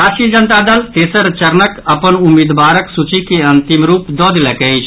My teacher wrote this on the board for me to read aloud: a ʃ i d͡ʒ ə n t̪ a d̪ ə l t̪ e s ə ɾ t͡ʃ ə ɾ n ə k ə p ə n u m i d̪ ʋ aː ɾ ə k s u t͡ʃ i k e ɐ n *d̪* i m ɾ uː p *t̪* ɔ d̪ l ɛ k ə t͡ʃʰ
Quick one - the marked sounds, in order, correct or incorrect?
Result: incorrect: t̪, incorrect: d̪

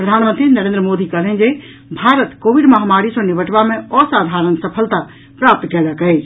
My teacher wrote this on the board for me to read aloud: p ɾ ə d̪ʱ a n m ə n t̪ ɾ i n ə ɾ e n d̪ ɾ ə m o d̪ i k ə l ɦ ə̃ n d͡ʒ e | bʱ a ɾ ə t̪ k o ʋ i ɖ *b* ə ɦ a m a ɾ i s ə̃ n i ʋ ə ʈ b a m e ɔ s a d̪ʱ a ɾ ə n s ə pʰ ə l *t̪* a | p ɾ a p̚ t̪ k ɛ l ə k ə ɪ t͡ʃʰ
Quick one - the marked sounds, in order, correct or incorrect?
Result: incorrect: m, correct

